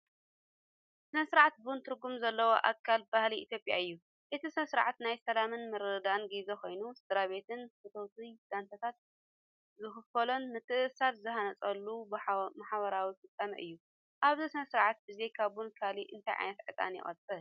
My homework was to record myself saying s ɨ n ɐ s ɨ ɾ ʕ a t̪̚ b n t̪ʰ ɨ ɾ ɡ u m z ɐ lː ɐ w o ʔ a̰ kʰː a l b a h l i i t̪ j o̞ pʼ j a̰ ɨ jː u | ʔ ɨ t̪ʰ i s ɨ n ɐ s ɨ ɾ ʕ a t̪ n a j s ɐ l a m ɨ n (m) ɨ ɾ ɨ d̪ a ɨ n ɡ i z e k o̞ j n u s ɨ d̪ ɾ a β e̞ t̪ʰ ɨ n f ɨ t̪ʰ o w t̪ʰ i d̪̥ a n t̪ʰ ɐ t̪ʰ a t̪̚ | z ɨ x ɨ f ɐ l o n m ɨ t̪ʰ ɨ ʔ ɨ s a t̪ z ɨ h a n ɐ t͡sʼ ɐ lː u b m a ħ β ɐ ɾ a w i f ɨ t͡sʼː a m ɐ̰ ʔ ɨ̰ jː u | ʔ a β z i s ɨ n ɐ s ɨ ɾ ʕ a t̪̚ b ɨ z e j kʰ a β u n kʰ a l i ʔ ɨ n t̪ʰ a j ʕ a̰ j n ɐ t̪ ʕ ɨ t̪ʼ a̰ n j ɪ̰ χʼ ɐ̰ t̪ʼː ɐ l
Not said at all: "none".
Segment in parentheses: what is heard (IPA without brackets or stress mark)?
m